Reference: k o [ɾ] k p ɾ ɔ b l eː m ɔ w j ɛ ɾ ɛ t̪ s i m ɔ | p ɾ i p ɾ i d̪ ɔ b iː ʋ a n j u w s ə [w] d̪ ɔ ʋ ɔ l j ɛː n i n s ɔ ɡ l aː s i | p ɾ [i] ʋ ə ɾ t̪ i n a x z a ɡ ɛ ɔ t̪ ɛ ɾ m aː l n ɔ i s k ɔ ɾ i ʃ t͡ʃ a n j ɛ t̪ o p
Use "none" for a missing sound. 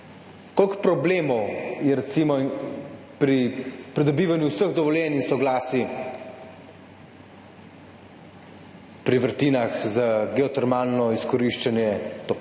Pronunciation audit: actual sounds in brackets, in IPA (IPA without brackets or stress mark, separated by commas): l, ɣ, i